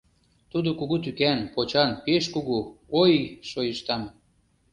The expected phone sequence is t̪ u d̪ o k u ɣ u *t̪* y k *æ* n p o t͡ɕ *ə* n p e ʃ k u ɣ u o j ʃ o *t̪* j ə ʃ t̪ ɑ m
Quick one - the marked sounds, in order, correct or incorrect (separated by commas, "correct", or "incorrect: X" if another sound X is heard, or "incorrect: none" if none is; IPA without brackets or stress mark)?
correct, correct, incorrect: ɑ, incorrect: none